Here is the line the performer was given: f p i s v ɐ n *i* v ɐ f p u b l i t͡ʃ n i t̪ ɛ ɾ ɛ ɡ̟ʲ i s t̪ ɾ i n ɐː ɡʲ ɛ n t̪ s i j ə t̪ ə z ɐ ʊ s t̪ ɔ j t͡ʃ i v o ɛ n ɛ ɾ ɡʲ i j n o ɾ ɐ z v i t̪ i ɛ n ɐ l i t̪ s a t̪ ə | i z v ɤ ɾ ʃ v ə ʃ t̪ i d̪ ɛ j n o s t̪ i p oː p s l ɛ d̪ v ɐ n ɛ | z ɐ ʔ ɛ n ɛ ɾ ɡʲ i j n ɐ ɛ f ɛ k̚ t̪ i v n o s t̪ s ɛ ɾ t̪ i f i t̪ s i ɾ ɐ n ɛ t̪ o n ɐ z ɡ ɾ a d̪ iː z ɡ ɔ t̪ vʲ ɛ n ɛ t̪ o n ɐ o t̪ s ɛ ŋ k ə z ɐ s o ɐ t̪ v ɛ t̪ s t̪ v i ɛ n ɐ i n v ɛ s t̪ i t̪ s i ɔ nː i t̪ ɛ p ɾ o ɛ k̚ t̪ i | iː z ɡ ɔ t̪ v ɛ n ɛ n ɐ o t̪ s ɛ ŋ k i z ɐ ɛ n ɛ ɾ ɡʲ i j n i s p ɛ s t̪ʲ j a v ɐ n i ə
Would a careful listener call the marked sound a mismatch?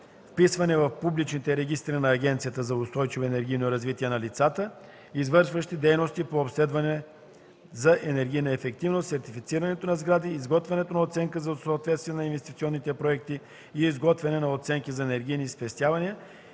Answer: yes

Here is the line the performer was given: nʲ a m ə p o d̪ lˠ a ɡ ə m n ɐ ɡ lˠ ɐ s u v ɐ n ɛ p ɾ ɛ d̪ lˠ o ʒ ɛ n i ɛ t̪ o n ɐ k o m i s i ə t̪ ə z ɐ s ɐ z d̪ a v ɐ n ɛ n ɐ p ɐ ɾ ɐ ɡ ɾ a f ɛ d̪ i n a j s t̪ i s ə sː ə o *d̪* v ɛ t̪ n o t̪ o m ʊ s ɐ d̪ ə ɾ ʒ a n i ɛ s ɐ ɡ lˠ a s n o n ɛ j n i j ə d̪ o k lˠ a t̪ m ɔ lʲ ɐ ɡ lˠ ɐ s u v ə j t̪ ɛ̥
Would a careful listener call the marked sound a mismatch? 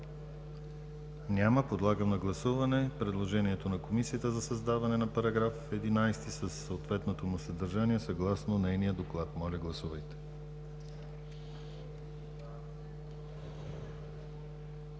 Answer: yes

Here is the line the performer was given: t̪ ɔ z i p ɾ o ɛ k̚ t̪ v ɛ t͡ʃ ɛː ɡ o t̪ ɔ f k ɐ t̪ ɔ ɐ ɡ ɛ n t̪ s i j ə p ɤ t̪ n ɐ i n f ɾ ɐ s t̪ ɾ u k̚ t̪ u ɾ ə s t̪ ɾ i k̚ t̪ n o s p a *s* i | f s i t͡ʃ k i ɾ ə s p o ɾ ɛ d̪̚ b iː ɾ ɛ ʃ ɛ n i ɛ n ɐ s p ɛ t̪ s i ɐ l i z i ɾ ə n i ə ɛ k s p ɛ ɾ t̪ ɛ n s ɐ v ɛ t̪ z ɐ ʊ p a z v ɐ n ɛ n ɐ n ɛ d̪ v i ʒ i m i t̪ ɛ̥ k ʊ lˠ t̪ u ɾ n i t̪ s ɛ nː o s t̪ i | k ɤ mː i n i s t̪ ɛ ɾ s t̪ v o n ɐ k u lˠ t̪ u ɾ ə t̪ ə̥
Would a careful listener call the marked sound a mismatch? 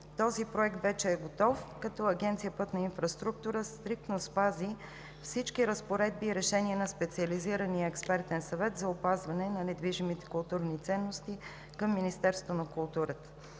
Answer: yes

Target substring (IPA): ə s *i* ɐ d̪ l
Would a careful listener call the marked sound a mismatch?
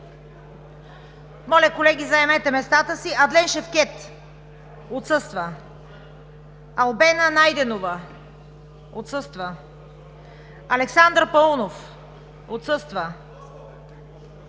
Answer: no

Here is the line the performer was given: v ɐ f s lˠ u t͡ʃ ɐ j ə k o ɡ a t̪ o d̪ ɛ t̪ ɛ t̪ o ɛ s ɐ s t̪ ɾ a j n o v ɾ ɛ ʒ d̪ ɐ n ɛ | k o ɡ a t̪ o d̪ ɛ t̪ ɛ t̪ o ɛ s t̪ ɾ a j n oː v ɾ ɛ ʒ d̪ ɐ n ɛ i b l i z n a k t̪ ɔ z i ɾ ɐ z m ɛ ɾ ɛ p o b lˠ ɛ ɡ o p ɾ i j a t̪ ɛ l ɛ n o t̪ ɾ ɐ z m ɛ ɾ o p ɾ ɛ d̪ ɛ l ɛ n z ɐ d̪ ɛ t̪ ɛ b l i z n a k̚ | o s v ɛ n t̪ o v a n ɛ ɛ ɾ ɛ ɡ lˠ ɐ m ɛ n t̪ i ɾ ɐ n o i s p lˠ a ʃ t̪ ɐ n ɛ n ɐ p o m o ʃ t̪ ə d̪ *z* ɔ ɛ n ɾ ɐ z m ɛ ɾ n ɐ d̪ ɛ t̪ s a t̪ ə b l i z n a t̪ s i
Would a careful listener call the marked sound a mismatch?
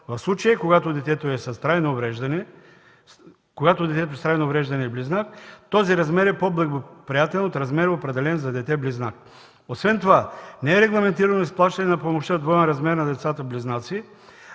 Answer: yes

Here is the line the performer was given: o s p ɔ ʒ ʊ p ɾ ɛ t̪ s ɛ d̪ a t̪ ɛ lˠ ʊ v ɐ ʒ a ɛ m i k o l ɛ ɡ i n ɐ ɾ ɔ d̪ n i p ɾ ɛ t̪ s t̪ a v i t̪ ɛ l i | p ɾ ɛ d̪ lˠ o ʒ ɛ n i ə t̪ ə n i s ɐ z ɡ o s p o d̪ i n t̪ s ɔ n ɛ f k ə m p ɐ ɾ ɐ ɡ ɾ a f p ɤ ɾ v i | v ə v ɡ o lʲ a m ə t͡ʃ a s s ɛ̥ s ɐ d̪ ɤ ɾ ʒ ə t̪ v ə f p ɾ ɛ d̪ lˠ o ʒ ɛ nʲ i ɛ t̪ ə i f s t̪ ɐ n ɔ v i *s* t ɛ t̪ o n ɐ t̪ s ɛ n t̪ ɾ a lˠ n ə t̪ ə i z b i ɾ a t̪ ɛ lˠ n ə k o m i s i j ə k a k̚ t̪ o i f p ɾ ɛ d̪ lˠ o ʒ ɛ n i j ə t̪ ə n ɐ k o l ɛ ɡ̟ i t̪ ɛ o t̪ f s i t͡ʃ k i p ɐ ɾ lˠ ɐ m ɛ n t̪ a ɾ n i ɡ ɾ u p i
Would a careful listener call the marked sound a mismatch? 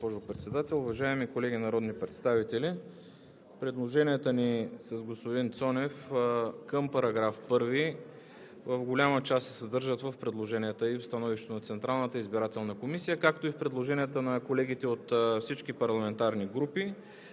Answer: yes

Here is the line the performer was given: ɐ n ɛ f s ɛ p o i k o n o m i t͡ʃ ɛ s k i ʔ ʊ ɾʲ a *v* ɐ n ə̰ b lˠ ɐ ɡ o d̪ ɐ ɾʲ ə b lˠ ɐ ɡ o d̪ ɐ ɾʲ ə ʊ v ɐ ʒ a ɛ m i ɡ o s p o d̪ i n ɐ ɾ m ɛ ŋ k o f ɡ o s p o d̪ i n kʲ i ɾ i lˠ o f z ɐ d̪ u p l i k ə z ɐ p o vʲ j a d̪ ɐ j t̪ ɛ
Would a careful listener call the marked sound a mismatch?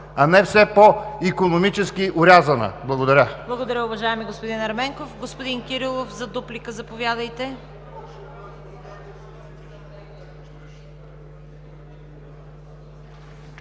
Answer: yes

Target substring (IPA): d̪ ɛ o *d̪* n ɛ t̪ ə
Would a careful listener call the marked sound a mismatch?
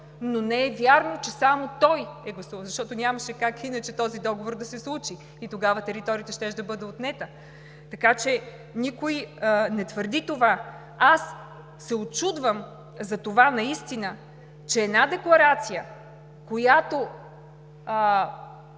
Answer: yes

